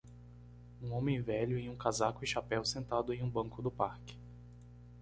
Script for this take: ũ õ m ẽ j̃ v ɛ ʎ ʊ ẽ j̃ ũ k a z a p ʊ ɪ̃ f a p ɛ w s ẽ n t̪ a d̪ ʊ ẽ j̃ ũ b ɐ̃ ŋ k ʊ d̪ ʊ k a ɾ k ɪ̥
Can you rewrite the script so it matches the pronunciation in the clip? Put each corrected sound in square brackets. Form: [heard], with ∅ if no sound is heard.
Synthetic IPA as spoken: ũ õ m ẽ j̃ v ɛ ʎ ʊ ẽ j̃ ũ k a z a [k] ʊ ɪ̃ [ʃ] a p ɛ w s ẽ n t̪ a d̪ ʊ ẽ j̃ ũ b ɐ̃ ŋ k ʊ d̪ ʊ [p] a ɾ k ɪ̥